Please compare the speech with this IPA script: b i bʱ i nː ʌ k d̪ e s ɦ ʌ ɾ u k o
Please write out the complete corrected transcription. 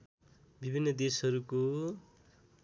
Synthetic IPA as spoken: b i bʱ i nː ʌ d̪ e s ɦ ʌ ɾ u k o